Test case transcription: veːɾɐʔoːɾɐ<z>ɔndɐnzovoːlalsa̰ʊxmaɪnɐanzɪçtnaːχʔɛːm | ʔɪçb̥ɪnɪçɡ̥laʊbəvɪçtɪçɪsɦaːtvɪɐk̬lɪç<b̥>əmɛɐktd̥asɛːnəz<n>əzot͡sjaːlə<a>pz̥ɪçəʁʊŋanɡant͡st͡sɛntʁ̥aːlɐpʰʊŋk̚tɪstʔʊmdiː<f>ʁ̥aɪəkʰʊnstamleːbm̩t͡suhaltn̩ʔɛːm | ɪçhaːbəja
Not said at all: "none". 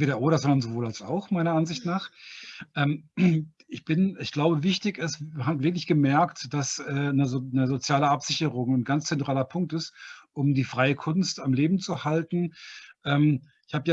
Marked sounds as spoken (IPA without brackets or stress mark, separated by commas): z, ɡ̥, n, a, f